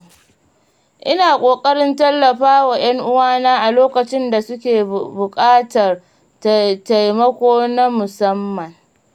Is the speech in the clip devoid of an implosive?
yes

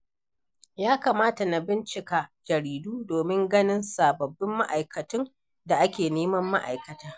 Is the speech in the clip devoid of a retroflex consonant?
yes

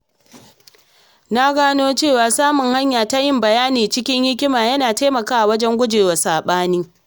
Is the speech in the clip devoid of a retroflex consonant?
yes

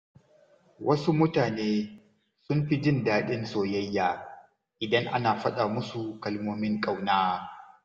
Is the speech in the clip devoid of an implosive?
no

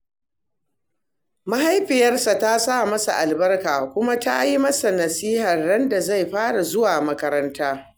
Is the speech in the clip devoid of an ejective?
yes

